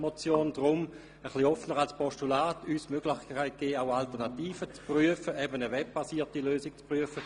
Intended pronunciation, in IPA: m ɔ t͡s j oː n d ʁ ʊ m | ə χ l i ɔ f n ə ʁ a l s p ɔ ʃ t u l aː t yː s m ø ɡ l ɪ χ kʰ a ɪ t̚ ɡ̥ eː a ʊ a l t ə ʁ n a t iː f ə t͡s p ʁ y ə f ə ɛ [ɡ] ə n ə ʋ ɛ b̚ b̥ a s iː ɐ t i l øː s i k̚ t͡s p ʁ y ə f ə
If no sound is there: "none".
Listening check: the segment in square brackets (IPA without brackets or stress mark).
b